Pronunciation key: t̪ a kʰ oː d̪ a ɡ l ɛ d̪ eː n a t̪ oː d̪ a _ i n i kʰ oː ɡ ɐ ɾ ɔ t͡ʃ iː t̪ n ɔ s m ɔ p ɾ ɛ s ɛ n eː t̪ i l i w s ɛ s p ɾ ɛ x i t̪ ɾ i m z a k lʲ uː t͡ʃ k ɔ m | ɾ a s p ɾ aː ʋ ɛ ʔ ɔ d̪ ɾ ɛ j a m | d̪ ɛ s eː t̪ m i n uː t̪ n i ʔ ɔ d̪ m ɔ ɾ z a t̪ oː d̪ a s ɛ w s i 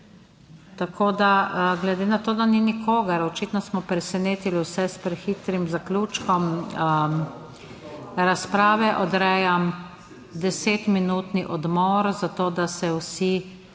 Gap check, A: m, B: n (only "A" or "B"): B